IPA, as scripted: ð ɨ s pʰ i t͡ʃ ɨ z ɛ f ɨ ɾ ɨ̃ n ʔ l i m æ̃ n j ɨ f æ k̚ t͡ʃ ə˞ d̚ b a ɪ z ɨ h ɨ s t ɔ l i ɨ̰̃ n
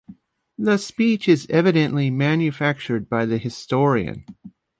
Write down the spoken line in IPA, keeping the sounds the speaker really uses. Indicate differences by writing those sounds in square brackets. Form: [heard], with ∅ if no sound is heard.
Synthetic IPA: ð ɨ s [p] i t͡ʃ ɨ z ɛ [v] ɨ ɾ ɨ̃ n ʔ l i m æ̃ n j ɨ f æ k̚ t͡ʃ ə˞ d̚ b a ɪ [ð] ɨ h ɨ s t ɔ [ɹ] i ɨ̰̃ n